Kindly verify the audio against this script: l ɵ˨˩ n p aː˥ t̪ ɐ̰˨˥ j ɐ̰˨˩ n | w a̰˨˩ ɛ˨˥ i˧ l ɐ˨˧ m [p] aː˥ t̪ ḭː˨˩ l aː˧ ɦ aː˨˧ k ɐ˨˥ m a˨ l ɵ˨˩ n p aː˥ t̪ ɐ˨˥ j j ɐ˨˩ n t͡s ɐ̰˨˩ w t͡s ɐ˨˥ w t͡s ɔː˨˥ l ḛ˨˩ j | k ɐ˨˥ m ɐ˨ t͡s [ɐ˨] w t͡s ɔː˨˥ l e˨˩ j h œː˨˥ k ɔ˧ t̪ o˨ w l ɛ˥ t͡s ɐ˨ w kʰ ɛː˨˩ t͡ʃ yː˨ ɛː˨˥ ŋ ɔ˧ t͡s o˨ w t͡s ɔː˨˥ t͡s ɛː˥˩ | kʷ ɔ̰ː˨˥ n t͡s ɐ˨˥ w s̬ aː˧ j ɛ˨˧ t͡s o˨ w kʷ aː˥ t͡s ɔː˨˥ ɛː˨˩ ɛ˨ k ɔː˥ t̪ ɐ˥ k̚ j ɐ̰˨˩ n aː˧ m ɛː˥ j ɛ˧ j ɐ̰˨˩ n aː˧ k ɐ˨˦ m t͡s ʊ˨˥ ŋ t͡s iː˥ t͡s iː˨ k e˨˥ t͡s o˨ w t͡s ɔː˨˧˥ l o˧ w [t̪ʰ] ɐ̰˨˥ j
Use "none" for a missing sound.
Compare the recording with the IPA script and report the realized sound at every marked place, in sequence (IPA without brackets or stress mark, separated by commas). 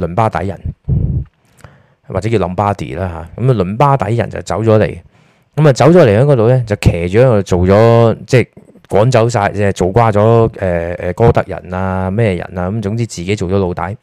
p, ɐ˨˥, t̪